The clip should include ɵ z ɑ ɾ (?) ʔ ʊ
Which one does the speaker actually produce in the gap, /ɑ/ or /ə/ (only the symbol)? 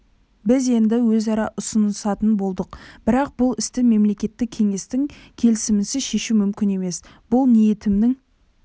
ɑ